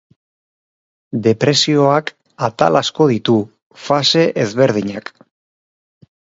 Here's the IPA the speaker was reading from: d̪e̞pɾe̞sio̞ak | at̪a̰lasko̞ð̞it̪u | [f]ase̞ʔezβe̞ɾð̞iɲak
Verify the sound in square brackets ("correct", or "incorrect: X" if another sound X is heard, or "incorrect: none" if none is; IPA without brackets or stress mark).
correct